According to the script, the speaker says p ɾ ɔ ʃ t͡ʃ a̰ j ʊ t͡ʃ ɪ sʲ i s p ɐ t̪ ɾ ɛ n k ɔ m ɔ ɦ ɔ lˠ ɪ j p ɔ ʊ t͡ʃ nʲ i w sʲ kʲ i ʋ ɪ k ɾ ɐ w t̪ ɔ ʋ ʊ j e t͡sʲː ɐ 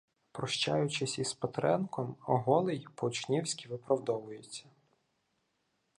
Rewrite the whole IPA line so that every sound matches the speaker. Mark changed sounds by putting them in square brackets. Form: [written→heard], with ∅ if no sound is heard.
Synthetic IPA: p ɾ ɔ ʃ t͡ʃ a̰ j ʊ t͡ʃ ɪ sʲ i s p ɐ t̪ ɾ ɛ n k ɔ m ɔ ɦ ɔ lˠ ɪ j p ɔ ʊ t͡ʃ nʲ i w sʲ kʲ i ʋ ɪ [k→p] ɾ ɐ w [t̪→d̪] ɔ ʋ ʊ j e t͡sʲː ɐ